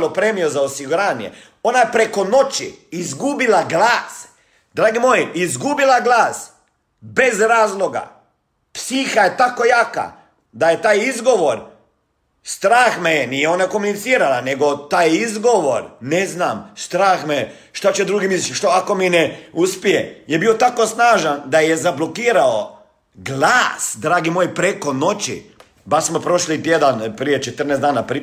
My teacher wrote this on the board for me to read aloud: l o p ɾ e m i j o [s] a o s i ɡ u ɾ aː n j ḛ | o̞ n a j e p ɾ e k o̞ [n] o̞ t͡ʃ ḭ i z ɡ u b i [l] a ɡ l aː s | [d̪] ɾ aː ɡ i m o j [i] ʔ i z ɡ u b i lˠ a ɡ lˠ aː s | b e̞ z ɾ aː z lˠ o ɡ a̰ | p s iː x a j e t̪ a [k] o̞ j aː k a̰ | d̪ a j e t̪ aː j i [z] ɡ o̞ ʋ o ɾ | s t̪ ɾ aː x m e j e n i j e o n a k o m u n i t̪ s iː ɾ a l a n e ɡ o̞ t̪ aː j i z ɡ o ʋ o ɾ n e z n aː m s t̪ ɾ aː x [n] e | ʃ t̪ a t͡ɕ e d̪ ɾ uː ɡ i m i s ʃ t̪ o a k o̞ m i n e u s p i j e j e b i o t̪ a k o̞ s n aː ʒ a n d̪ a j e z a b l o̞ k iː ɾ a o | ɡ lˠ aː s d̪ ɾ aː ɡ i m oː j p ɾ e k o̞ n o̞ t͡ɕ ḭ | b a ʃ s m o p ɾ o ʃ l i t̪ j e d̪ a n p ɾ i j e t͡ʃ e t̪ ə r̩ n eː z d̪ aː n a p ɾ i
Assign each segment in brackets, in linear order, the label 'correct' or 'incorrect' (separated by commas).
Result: incorrect, correct, correct, correct, correct, correct, correct, incorrect